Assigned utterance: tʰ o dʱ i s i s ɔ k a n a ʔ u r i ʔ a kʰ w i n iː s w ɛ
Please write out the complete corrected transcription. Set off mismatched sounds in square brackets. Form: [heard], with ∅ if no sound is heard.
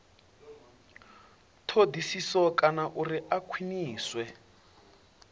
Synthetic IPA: tʰ o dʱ i s i s ɔ k a n a ʔ u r i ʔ a kʰ w i n iː s w ɛ